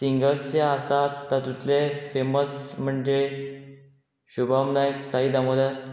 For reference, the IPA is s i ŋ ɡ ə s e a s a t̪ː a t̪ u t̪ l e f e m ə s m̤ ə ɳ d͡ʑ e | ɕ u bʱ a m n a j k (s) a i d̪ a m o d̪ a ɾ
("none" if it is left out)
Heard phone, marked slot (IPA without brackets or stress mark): s